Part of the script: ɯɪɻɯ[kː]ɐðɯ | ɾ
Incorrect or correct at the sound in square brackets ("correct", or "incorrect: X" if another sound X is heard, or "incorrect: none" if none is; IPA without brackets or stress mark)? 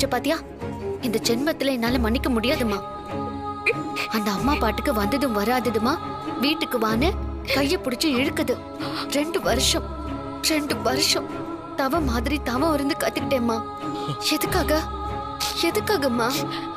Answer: correct